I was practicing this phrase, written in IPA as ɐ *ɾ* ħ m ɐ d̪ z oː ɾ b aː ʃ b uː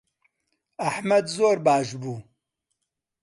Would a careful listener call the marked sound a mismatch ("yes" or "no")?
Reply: yes